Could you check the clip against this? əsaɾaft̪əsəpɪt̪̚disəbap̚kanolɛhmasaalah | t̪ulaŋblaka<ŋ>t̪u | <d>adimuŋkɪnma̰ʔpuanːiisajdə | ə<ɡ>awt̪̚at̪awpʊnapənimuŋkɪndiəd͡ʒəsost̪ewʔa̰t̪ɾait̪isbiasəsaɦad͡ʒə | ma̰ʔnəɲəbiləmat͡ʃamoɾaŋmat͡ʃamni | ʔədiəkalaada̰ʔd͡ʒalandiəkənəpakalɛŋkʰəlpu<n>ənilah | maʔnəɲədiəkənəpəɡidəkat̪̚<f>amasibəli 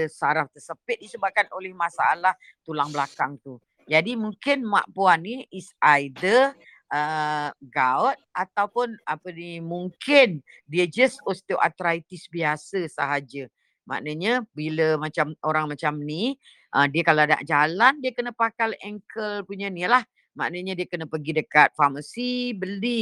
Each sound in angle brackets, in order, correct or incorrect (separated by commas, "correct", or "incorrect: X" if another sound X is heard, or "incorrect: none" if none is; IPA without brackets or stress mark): correct, incorrect: d͡ʒ, correct, incorrect: ɲ, correct